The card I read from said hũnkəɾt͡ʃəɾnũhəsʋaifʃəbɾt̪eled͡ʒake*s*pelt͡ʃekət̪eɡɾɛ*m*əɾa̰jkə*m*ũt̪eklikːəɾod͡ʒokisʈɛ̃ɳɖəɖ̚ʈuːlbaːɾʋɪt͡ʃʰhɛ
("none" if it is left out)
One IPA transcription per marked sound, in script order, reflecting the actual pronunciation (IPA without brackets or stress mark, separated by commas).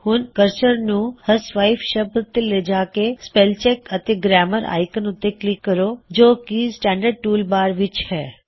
s, m, n